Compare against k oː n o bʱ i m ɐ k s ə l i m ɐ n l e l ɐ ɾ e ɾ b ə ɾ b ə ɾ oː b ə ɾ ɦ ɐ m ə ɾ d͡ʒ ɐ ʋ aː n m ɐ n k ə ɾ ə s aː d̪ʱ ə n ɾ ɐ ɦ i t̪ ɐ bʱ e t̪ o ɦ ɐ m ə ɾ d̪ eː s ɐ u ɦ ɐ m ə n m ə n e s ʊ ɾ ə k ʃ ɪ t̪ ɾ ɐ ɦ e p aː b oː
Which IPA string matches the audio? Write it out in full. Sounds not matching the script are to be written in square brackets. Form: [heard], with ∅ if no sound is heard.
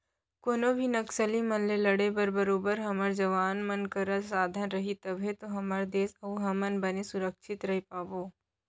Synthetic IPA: k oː n o bʱ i [n] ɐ k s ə l i m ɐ n l e l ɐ [ɽ] e [∅] b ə ɾ b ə ɾ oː b ə ɾ ɦ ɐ m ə ɾ d͡ʒ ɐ ʋ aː n m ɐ n k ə ɾ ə s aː d̪ʱ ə n ɾ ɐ ɦ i t̪ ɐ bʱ e t̪ o ɦ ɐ m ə ɾ d̪ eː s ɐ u ɦ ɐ m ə n [b] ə n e s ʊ ɾ ə k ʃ ɪ t̪ ɾ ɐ ɦ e p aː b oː